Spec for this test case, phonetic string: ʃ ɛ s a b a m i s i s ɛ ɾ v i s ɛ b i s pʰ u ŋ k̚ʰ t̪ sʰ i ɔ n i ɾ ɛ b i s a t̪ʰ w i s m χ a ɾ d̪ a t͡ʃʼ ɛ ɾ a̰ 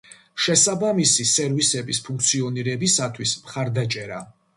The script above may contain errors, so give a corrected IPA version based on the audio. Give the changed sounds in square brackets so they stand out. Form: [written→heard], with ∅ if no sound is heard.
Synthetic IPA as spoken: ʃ ɛ s a b a m i s i s ɛ ɾ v i s ɛ b i s pʰ u ŋ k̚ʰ t̪ sʰ i ɔ n i ɾ ɛ b i s a t̪ʰ w i s m χ a ɾ d̪ a t͡ʃʼ ɛ ɾ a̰